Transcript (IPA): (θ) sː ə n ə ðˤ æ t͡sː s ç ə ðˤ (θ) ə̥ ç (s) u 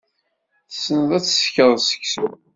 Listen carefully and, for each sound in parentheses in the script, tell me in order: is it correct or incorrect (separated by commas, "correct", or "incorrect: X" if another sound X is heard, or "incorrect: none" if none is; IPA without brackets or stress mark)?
correct, incorrect: s, correct